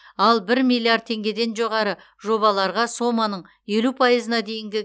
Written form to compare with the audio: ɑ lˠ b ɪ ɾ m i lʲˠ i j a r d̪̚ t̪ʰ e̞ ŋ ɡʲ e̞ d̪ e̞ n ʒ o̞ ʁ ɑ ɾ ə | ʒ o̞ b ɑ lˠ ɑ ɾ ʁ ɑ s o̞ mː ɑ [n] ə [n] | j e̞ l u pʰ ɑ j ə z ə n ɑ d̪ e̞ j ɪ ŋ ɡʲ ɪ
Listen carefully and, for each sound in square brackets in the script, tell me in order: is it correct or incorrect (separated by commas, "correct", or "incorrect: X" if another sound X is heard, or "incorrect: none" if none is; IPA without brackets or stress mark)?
correct, incorrect: ɴ